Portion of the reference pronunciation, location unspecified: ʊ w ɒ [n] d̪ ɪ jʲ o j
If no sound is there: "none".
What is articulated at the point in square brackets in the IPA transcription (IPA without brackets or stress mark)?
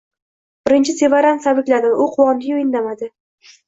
n